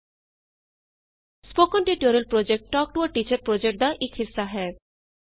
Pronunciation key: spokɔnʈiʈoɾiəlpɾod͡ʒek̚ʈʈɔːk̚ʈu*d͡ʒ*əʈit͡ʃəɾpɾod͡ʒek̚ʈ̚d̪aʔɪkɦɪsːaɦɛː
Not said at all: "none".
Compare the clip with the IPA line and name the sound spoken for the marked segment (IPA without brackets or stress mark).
none